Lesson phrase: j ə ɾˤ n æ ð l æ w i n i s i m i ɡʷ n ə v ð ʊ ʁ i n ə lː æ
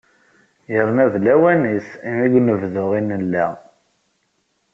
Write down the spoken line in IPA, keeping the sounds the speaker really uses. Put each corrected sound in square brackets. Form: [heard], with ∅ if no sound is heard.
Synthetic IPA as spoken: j ə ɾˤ n æ ð l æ w [æ] n i s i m i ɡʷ n ə v ð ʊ ʁ i n ə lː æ